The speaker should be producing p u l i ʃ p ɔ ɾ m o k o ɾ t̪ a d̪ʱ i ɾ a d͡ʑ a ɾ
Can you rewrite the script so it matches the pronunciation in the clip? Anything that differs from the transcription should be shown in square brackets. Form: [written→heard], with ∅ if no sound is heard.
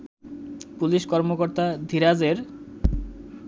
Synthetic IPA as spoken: p u l i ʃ [p→k] ɔ ɾ m o k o ɾ t̪ a d̪ʱ i ɾ a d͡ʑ [a→e] ɾ